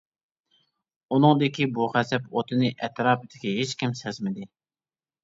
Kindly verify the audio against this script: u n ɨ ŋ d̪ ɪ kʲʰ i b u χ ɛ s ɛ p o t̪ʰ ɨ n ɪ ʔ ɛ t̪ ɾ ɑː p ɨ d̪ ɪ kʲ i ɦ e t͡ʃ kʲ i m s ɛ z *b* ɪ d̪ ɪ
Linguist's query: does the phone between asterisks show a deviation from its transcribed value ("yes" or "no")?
yes